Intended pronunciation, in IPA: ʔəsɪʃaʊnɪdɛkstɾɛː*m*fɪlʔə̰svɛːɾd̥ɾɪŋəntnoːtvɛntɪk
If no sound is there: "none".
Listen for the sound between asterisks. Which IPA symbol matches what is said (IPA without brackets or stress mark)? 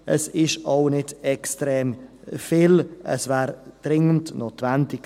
m